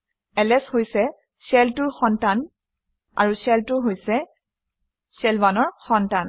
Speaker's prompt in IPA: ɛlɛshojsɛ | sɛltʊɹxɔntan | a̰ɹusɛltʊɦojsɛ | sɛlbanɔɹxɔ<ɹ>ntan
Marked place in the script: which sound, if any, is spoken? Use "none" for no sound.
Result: none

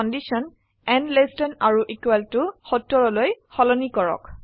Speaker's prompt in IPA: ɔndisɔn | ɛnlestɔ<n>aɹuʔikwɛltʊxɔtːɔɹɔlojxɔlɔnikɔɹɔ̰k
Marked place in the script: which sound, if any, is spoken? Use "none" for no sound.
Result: n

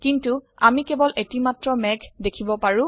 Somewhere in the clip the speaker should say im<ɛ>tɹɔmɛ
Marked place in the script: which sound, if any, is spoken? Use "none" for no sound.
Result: a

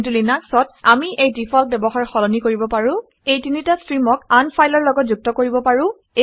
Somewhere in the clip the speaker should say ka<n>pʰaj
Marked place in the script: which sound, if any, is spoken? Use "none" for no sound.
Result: n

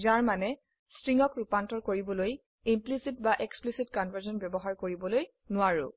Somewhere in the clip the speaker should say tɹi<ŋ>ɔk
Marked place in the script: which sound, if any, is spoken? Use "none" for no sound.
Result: ŋ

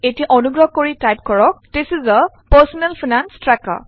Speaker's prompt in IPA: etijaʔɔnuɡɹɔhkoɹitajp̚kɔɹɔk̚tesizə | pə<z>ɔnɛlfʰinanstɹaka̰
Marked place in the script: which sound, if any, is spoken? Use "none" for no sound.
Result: s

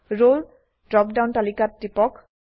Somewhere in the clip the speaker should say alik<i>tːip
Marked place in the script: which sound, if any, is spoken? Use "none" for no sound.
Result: a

